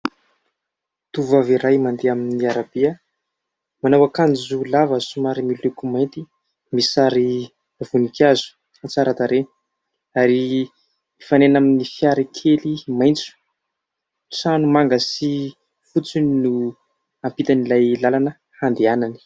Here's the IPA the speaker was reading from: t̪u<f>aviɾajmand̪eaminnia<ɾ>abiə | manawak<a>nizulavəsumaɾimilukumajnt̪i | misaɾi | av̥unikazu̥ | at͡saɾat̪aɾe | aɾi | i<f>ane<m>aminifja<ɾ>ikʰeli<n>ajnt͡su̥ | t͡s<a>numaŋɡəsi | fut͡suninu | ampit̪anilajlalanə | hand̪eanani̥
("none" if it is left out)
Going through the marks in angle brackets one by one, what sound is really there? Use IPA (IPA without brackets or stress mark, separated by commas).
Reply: v, ɾ, a, f, n, ɾ, m, a